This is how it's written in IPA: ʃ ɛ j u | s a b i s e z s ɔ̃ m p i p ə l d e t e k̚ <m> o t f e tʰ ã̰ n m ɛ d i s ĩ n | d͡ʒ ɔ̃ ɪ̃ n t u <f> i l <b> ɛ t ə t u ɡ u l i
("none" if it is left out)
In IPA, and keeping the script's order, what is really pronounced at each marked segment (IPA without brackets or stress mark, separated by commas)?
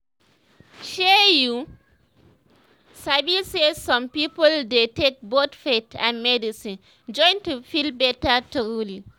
b, f, b